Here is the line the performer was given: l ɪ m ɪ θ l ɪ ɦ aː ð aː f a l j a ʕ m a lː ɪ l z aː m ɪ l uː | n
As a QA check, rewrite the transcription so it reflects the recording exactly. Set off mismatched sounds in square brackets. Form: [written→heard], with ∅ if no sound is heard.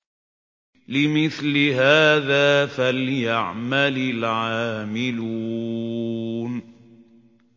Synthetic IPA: l ɪ m ɪ θ l ɪ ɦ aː ð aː f a l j a ʕ m a [lː→l] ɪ l [z→ʕ] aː m ɪ l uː | n